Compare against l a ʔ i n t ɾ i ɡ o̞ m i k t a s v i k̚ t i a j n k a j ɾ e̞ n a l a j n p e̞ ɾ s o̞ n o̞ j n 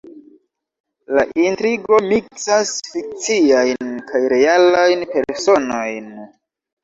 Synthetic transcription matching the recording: l a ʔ i n t ɾ i ɡ o̞ m i k s a s f i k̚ t͡s i a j n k a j ɾ e̞ a l a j n p e̞ ɾ s o̞ n o̞ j n